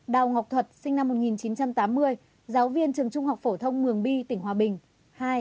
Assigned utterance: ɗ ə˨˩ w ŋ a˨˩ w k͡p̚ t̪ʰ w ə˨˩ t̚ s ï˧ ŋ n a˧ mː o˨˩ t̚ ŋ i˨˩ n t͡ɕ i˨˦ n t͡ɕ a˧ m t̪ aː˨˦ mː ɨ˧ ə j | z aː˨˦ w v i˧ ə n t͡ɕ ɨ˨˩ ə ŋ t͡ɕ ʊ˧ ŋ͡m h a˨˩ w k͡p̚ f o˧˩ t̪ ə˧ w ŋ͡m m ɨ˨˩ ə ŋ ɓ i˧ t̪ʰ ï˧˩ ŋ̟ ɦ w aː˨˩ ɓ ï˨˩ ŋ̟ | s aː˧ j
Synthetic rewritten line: ɗ a˨˩ w ŋ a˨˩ w k͡p̚ t̪ʰ w ə˨˩ t̚ s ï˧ ŋ n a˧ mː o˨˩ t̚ ŋ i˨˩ n t͡ɕ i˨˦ n t͡ɕ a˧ m t̪ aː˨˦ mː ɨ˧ ə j | z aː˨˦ w v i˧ ə n t͡ɕ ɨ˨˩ ə ŋ t͡ɕ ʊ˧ ŋ͡m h a˨˩ w k͡p̚ f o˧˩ t̪ʰ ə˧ w ŋ͡m m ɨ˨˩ ə ŋ ɓ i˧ t̪ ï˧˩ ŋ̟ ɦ w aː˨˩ ɓ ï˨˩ ŋ̟ | h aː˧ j